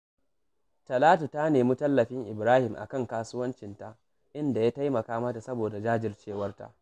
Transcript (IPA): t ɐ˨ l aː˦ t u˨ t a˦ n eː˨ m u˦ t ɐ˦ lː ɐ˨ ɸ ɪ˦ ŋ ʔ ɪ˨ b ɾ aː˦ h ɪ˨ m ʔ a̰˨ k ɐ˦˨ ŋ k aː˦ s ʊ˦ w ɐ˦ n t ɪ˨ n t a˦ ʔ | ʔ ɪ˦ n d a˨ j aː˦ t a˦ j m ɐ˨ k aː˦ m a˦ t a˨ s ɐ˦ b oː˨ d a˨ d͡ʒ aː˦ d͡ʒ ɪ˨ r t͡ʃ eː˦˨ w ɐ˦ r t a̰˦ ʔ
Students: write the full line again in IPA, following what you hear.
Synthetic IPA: t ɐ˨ l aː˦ t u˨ t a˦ n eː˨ m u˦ t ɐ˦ lː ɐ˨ ɸ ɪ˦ ŋ ʔ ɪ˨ b ɾ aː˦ h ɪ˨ m ʔ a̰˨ k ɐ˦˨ ŋ k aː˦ s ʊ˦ w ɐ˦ n t͡ʃ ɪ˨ n t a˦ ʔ | ʔ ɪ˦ n d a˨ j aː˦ t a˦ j m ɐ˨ k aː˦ m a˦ t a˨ s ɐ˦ b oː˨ d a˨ d͡ʒ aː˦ d͡ʒ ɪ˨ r t͡ʃ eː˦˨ w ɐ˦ r t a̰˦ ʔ